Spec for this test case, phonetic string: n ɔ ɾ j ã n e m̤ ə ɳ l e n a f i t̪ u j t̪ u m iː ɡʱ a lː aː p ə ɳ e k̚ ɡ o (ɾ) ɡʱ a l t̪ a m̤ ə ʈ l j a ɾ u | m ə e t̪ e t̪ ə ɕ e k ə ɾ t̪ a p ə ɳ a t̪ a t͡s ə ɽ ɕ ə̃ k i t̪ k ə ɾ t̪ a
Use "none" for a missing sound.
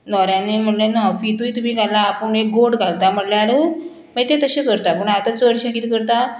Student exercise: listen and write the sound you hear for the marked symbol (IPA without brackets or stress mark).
ɽ